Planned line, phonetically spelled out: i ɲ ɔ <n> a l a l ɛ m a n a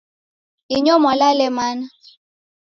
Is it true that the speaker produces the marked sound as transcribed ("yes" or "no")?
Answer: no